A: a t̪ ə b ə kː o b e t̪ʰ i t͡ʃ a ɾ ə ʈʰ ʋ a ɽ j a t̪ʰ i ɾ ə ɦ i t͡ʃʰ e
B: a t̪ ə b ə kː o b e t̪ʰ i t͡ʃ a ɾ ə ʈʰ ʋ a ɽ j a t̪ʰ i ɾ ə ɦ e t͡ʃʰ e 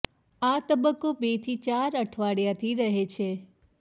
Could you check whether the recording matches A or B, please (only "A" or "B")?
B